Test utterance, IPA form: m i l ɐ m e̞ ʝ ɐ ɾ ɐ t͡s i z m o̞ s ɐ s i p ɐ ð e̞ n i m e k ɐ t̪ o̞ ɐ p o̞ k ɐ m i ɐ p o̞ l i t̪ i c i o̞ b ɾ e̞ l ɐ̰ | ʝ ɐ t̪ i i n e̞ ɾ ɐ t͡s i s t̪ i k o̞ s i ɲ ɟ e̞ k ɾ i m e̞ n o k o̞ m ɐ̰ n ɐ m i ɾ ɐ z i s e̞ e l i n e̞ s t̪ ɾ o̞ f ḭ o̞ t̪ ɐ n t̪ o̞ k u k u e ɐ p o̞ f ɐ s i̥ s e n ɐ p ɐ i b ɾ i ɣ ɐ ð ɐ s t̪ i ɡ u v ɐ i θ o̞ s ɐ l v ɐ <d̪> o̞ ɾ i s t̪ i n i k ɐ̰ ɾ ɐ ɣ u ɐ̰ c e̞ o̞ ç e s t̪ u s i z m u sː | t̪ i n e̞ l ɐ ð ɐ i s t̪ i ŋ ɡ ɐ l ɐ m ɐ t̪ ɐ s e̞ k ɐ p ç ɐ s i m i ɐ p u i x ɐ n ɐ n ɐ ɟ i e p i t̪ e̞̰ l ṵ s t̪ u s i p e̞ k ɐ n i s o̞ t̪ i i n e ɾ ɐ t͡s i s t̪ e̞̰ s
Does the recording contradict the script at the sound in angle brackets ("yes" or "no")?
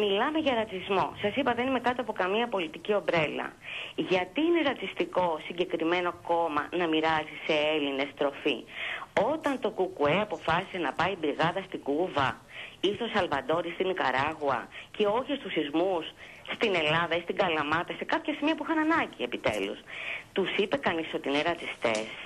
no